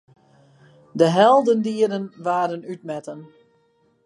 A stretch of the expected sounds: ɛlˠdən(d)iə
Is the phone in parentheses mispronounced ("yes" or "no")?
no